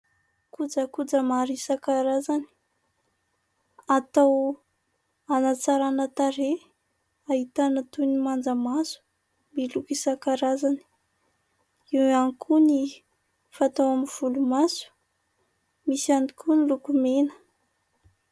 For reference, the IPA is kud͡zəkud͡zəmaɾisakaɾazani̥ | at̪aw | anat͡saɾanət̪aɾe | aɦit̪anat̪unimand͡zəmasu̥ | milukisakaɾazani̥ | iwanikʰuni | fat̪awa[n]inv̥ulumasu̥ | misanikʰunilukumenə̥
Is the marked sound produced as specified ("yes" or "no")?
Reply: no